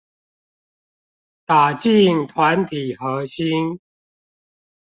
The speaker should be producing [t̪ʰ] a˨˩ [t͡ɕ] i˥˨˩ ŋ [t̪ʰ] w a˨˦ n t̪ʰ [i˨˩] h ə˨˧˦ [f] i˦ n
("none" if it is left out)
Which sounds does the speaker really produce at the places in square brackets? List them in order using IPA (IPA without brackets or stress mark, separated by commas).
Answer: t̪, t͡ɕ, t̪ʰ, i˨˩, ɕ